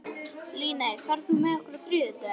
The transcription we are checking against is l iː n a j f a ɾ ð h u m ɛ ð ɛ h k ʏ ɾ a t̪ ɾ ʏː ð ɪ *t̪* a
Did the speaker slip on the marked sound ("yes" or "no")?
no